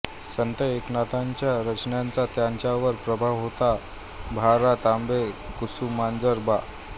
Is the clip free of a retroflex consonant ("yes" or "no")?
yes